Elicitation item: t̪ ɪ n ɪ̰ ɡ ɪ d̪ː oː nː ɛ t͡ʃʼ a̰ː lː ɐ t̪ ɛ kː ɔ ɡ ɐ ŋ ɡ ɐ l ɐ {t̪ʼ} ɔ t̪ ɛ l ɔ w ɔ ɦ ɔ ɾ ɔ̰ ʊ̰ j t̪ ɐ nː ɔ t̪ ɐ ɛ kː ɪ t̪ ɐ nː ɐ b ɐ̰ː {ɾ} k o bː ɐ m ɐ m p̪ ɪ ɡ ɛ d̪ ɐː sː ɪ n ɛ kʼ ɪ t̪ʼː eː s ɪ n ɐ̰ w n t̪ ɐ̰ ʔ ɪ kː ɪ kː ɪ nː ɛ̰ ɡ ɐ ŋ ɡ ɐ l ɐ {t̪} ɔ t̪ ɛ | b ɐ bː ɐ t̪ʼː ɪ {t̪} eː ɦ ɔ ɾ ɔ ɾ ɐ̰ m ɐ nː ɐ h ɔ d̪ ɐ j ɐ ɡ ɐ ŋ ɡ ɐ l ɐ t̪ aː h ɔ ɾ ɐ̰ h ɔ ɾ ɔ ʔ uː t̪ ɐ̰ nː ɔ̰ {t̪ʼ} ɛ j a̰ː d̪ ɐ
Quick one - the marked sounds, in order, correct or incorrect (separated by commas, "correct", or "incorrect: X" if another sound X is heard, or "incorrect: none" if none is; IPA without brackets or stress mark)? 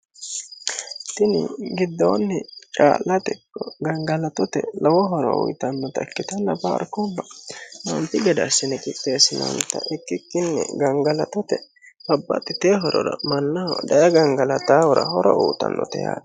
incorrect: t̪, correct, correct, correct, incorrect: t̪